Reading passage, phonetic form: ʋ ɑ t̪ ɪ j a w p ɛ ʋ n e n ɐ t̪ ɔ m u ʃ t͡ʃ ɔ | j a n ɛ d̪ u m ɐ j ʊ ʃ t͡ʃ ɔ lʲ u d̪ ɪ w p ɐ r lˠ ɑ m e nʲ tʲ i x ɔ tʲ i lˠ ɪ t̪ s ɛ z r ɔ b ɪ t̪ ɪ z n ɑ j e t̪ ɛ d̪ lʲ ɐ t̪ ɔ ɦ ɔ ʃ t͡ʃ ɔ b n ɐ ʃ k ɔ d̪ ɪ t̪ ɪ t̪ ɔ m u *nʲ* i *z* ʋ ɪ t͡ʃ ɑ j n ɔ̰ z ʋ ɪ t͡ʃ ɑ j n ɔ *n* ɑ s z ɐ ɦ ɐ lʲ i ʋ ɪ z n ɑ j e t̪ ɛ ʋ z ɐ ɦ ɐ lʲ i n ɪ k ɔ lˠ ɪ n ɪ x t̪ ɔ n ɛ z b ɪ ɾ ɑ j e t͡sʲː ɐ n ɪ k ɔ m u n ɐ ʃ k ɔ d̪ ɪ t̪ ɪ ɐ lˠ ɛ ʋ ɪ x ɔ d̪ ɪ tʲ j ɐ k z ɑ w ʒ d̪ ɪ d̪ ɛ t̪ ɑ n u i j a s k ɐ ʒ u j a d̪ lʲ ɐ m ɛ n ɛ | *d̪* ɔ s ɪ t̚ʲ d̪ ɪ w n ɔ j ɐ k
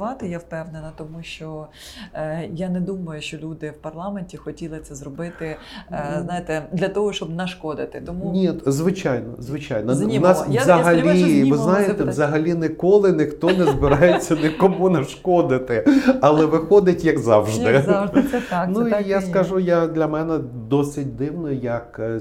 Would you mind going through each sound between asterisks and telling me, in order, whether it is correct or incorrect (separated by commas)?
correct, correct, correct, correct